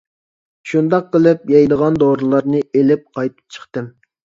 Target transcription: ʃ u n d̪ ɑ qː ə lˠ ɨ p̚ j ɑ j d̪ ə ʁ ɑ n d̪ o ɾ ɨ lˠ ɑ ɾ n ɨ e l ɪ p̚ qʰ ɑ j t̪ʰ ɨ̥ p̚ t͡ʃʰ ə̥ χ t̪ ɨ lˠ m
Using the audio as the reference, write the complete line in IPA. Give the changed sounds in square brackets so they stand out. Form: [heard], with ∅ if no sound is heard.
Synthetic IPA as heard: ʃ u n d̪ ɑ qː ə lˠ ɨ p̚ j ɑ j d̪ ə ʁ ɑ n d̪ o ɾ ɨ lˠ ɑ ɾ n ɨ e l ɪ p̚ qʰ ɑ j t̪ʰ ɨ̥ p̚ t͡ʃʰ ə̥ χ t̪ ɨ [∅] m